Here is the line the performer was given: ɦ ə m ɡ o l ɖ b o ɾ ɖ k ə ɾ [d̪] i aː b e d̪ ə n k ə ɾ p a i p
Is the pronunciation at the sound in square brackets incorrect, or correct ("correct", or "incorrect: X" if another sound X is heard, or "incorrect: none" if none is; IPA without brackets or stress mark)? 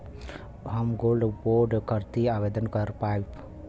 incorrect: t̪